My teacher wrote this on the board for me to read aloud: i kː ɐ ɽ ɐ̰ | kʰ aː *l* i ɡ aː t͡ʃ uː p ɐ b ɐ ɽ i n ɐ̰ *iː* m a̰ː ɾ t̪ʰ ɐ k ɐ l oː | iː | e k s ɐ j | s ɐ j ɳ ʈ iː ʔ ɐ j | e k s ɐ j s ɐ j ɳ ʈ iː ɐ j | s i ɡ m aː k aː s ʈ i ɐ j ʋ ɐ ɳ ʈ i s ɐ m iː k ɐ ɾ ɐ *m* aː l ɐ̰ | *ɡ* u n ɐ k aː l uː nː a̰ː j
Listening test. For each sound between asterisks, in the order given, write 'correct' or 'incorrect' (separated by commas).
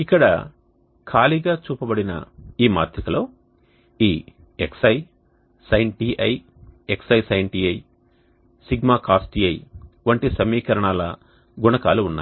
correct, correct, incorrect, correct